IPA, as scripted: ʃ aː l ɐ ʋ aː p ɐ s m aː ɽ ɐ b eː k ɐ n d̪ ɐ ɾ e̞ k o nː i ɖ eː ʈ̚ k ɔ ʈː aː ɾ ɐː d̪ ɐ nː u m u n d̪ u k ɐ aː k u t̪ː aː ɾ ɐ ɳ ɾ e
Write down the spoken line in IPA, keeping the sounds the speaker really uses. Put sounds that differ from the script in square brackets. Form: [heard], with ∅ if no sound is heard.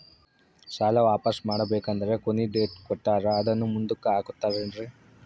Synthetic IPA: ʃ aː l ɐ ʋ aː p ɐ s m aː ɽ ɐ b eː k ɐ n d̪ ɐ ɾ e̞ k o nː i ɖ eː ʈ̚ k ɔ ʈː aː ɾ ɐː d̪ ɐ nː u m u n d̪ u k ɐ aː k u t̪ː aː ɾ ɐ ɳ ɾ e